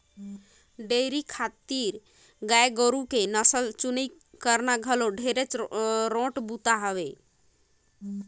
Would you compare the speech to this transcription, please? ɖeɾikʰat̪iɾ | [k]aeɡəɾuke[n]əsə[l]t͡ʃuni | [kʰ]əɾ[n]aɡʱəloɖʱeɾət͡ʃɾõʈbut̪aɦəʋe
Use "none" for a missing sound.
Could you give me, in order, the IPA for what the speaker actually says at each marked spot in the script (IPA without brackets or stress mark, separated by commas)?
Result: ɡ, n, l, k, n